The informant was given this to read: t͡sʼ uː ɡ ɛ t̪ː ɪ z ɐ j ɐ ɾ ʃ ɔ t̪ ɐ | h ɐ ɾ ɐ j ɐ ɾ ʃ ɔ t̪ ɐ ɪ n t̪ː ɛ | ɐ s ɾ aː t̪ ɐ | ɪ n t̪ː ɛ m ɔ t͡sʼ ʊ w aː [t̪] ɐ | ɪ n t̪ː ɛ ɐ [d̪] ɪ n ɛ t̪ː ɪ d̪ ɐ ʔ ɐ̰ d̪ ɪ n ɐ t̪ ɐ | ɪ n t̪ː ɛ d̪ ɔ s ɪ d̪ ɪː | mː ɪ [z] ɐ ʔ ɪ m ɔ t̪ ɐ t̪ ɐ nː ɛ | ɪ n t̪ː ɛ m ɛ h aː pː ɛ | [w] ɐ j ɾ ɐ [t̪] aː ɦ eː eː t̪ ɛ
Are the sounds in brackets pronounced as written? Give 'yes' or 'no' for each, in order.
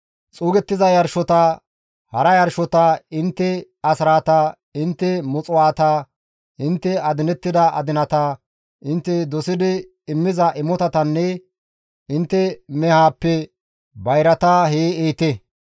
yes, yes, yes, no, yes

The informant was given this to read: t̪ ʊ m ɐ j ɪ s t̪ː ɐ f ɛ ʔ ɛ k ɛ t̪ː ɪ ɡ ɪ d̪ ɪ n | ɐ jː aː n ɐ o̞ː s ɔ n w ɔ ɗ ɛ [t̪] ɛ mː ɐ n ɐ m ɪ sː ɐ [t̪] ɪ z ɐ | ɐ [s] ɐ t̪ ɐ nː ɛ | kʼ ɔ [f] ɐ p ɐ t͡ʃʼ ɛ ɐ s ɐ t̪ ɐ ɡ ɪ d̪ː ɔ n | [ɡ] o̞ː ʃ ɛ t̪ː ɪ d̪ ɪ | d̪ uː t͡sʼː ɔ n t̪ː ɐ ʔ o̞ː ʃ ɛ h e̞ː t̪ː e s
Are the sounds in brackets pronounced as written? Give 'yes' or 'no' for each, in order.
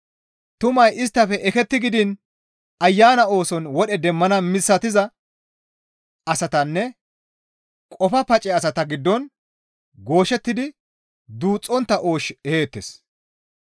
no, yes, yes, yes, yes

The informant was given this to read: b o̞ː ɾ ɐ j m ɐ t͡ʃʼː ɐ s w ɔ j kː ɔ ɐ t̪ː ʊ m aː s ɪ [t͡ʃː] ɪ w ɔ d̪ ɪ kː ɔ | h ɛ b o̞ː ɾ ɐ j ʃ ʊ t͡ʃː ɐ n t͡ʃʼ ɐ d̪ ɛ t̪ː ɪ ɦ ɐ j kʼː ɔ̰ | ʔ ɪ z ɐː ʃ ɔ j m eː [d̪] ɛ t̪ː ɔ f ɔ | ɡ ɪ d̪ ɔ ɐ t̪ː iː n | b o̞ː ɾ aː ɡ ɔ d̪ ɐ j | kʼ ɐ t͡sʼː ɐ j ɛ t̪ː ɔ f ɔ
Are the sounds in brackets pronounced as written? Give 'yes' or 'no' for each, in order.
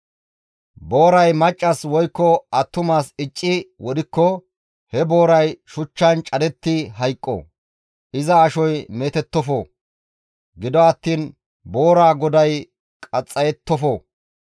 no, no

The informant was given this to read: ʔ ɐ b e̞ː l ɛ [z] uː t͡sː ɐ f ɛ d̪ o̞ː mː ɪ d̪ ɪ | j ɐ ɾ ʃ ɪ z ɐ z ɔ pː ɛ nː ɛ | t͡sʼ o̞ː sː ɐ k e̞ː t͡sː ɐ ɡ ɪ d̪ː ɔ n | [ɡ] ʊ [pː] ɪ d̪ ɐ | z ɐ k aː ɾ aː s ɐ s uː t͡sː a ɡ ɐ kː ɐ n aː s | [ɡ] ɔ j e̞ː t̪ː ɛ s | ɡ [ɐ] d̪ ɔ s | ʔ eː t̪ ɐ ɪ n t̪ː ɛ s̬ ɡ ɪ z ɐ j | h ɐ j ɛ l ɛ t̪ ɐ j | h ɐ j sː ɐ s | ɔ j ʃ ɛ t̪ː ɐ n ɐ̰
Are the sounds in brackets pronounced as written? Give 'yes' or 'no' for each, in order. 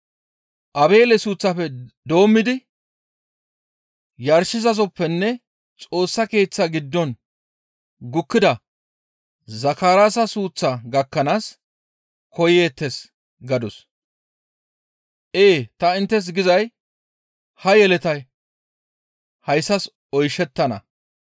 no, yes, no, no, yes

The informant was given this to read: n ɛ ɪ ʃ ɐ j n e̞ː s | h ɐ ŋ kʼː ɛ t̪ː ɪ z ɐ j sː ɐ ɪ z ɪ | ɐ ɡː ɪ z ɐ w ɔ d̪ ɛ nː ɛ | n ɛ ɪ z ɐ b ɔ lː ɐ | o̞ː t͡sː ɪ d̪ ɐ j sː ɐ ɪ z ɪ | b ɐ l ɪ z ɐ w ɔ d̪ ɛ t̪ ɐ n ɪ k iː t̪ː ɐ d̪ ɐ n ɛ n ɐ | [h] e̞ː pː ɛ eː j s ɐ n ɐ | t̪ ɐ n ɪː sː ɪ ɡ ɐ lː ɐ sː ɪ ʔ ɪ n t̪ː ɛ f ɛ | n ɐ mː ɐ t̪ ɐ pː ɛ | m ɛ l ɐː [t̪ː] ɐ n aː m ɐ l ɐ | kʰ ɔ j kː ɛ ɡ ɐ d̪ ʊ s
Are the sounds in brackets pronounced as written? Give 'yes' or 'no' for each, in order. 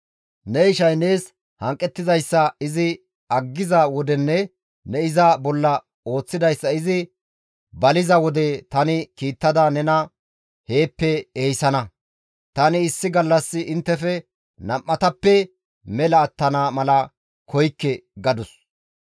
yes, yes

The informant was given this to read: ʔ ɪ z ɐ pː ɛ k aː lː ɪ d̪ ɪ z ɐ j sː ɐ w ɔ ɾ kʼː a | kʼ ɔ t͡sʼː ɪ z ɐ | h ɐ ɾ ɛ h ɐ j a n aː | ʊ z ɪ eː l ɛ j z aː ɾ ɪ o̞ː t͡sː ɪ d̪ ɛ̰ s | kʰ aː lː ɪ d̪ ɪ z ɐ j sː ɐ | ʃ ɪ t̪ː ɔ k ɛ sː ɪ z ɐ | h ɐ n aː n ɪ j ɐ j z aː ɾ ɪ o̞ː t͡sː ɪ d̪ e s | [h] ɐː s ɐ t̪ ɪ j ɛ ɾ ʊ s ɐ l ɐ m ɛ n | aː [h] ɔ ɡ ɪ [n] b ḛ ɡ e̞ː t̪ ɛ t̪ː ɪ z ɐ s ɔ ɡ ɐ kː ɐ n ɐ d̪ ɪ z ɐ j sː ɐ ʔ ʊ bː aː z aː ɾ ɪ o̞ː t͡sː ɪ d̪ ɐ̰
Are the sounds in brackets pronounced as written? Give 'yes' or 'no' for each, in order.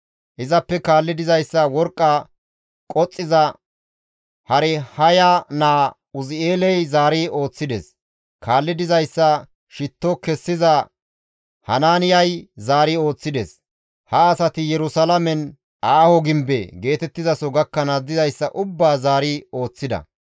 yes, yes, no

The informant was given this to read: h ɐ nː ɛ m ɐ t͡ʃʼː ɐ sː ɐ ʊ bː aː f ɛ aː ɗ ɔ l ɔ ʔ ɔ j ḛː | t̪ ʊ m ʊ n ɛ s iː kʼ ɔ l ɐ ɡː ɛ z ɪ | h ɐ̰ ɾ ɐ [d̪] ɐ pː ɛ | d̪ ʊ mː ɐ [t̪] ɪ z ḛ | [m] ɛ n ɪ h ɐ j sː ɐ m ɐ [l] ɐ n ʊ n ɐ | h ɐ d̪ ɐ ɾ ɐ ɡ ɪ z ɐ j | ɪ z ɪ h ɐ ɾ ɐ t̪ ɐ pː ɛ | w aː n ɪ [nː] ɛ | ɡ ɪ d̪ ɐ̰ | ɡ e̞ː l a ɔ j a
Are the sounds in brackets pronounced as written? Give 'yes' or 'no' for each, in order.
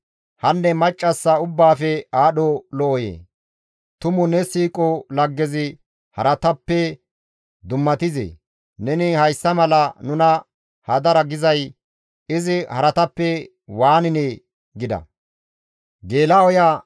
no, yes, no, yes, no

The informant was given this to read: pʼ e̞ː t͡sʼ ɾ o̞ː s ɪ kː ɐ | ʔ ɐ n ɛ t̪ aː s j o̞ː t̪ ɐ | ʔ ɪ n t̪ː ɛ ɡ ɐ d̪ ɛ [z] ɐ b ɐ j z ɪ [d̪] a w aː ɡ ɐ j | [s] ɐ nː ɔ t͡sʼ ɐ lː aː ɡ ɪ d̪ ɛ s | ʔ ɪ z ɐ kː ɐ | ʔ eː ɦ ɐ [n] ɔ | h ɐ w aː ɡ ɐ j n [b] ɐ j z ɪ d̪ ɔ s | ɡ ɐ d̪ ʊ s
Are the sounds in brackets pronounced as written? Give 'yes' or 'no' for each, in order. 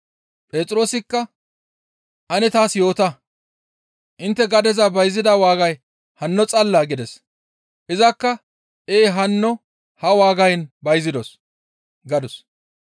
yes, yes, no, no, yes

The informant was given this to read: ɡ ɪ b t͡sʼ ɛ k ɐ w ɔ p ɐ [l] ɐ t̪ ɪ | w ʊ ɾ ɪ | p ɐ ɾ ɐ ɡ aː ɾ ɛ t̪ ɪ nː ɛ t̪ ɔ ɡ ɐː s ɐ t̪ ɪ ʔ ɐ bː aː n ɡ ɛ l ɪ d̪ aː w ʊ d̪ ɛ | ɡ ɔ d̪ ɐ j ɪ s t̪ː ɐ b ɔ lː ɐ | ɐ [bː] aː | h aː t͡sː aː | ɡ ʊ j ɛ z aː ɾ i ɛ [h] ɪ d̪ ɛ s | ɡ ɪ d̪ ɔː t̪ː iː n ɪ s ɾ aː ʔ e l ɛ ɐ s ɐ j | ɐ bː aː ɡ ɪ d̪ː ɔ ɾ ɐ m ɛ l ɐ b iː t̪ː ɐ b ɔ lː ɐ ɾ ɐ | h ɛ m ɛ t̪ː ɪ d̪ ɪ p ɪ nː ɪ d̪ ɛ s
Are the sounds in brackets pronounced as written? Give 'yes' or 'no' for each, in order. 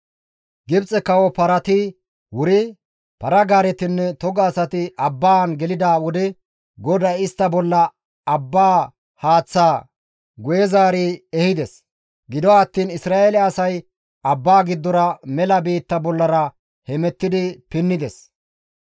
no, yes, yes

